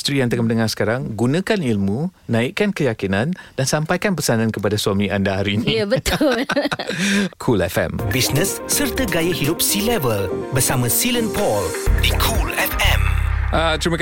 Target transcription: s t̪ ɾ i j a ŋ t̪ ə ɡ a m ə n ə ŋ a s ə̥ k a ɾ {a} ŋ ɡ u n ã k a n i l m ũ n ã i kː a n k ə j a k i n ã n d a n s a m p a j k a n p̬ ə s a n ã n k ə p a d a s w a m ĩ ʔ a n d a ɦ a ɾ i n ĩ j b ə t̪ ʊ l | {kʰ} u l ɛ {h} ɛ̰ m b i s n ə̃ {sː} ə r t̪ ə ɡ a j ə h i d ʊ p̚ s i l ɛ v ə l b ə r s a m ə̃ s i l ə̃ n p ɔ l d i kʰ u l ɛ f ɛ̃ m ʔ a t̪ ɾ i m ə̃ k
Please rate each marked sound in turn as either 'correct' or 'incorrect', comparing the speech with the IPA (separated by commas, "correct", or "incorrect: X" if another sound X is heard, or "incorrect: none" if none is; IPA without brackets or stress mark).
correct, correct, incorrect: f, correct